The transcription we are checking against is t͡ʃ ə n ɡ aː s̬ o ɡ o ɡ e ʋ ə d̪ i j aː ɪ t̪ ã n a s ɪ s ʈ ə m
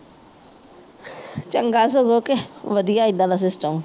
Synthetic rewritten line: t͡ʃ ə ŋ ɡ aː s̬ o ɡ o k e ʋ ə d̪ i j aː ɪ d̪ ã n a s ɪ s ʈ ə m